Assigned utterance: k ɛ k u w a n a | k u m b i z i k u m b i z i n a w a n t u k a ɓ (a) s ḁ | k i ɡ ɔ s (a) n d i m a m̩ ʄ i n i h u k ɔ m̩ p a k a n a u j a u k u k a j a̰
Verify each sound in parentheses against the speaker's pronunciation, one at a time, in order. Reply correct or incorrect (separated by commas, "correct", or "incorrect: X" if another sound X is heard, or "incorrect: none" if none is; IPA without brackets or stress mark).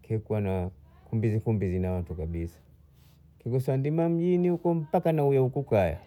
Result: incorrect: i, correct